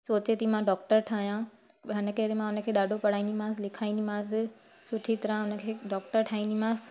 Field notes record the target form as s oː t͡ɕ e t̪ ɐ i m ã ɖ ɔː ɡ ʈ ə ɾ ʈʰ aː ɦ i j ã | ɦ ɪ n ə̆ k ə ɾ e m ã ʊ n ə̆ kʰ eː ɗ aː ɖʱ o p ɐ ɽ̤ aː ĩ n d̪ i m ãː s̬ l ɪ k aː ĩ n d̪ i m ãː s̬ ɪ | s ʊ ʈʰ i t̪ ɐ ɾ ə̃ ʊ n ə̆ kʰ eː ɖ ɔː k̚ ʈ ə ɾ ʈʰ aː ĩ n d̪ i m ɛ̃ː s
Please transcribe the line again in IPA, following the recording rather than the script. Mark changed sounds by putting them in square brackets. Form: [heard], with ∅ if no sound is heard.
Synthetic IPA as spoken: s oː t͡ɕ e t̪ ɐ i m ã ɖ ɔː [k] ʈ ə ɾ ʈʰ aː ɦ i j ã | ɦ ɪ n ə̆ k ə ɾ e m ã ʊ n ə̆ kʰ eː ɗ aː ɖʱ o p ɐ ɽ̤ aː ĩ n d̪ i m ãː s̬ l ɪ [kʰ] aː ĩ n d̪ i m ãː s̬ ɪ | s ʊ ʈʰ i t̪ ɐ ɾ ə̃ ʊ n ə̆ kʰ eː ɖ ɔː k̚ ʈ ə ɾ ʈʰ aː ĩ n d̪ i m [ãː] s